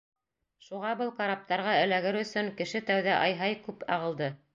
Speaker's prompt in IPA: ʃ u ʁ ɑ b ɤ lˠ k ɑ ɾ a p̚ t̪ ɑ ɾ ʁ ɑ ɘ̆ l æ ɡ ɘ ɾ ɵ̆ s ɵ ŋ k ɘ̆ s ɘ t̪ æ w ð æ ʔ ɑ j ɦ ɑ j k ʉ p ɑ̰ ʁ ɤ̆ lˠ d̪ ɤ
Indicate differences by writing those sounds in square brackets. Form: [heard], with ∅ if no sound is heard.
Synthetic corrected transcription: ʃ u ʁ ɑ b ɤ lˠ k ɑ ɾ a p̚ t̪ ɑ ɾ ʁ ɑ ɘ̆ l æ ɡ ɘ ɾ ɵ̆ s ɵ ŋ k ɘ̆ [ʃ] ɘ t̪ æ w ð æ ʔ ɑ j ɦ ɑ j k ʉ p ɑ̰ ʁ ɤ̆ lˠ d̪ ɤ